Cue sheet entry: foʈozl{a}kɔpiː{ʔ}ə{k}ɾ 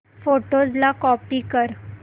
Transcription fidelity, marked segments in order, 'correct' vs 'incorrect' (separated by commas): correct, incorrect, incorrect